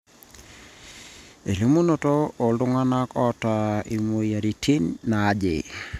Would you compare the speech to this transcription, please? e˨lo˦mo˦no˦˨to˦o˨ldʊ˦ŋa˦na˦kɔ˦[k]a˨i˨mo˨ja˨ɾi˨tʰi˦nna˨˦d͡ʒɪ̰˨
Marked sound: incorrect: t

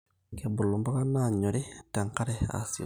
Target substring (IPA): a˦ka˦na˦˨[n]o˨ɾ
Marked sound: incorrect: ɲ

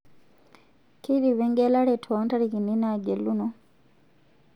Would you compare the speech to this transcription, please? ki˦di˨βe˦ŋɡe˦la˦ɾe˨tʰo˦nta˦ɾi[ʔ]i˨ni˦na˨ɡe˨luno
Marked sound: incorrect: k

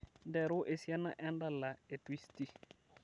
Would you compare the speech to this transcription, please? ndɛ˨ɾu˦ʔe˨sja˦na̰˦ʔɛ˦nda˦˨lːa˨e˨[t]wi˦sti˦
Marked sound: correct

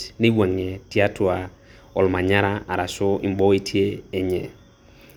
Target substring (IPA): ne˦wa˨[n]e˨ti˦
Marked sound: incorrect: ŋ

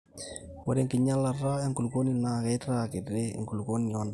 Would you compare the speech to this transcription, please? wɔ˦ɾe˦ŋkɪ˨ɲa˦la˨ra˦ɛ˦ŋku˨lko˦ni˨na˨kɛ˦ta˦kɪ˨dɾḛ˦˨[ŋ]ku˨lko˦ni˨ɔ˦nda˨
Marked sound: correct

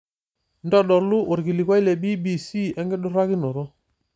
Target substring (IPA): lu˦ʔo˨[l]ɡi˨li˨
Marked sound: incorrect: ɾ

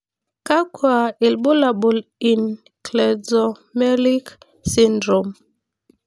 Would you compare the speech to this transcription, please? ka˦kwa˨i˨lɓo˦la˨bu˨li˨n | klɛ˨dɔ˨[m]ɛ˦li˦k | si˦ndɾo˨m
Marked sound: correct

